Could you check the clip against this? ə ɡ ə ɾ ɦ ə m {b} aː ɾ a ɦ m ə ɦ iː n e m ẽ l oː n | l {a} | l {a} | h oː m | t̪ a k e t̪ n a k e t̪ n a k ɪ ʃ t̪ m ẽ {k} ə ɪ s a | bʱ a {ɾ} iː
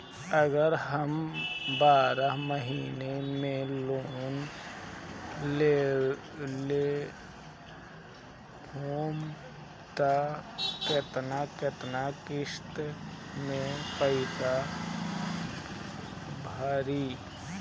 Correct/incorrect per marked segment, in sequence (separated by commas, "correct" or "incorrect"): correct, incorrect, incorrect, incorrect, correct